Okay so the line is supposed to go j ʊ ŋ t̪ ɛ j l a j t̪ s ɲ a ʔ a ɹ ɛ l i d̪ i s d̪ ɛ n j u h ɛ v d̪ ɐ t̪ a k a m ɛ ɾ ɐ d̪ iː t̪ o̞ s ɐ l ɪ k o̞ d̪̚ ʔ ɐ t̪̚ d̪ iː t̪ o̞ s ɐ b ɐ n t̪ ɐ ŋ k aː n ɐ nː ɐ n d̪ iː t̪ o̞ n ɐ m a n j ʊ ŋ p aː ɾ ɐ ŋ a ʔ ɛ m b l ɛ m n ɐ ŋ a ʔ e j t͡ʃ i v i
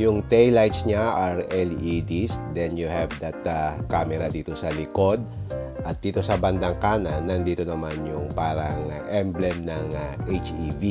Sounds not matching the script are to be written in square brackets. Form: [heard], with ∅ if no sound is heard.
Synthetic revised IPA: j ʊ ŋ t̪ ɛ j l a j t̪ s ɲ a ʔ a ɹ ɛ l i d̪ i s d̪ ɛ n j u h ɛ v d̪ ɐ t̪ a k a m ɛ ɾ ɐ d̪ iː t̪ o̞ s ɐ l ɪ k o̞ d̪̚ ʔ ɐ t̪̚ d̪ iː t̪ o̞ s ɐ b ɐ n [d̪] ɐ ŋ k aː n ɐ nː ɐ n d̪ iː t̪ o̞ n ɐ m a n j ʊ ŋ p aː ɾ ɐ ŋ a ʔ ɛ m b l ɛ m n ɐ ŋ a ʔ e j t͡ʃ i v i